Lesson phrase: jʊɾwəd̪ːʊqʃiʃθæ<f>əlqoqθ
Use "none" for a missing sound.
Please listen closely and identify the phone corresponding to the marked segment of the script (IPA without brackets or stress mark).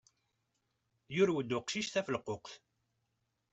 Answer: f